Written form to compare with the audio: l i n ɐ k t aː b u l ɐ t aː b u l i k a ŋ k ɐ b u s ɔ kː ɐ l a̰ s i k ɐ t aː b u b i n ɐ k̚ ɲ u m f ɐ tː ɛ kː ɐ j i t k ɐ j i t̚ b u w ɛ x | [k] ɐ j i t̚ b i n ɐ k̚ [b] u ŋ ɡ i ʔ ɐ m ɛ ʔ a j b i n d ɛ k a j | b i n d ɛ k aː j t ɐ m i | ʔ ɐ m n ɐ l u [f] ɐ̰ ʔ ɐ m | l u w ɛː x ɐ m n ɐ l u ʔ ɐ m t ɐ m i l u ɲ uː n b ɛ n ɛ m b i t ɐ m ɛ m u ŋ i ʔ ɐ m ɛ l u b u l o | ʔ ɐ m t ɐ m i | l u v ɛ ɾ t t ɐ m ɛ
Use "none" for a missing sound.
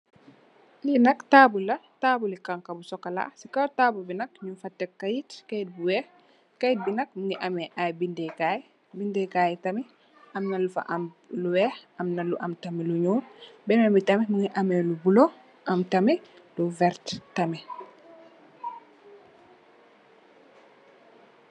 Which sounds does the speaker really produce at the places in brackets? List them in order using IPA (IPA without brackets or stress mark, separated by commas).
k, m, f